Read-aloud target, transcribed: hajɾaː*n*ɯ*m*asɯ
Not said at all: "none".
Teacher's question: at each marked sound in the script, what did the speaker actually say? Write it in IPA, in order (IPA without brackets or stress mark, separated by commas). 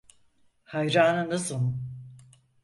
n, n